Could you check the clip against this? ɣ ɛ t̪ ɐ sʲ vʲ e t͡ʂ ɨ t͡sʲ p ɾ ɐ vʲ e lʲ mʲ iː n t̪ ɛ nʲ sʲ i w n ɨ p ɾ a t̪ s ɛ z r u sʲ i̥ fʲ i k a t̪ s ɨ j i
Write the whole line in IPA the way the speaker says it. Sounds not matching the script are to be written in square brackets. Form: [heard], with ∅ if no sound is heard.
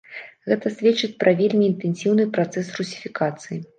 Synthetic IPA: ɣ ɛ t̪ ɐ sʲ vʲ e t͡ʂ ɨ t͡sʲ p ɾ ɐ vʲ e lʲ mʲ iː n t̪ ɛ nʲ sʲ i w n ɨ p ɾ a t̪ s ɛ [s] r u sʲ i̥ fʲ i k a t̪ s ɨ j i